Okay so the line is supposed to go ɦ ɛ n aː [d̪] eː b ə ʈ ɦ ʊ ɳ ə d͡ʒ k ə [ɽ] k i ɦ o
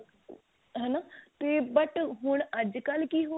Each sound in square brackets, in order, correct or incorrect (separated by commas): incorrect, incorrect